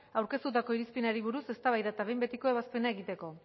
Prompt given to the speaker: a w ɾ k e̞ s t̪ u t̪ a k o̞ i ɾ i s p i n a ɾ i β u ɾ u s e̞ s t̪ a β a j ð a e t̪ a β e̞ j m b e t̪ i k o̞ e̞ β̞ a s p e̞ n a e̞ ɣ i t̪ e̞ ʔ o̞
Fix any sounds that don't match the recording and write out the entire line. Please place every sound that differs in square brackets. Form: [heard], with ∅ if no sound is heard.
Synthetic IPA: a w ɾ k e̞ s t̪ u t̪ a k o̞ i ɾ i s p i n a ɾ i β u ɾ u s e̞ s t̪ a β a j ð a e t̪ a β e̞ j m b e t̪ i k o̞ e̞ β̞ a s p e̞ n a e̞ ɣ i t̪ e̞ [k] o̞